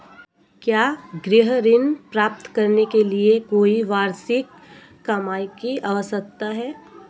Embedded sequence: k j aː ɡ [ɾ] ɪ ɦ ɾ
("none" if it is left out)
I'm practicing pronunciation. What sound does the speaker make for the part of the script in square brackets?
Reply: ɾ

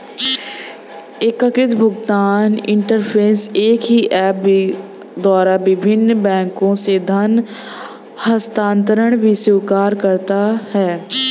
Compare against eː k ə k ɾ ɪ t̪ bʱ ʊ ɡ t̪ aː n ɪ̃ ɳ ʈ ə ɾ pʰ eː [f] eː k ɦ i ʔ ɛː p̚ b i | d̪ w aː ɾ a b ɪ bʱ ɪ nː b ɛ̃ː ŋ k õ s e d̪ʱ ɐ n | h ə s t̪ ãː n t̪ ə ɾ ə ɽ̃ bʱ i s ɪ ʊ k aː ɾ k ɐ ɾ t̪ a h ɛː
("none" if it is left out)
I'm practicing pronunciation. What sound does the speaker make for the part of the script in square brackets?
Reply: s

